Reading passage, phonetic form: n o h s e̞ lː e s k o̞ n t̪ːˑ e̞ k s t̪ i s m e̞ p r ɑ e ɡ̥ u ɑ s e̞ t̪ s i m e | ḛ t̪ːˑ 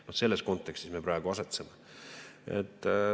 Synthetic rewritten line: n o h s e̞ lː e s k o̞ n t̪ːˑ e̞ k s t̪ i s m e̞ p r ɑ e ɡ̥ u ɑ s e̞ t̪ s e m e | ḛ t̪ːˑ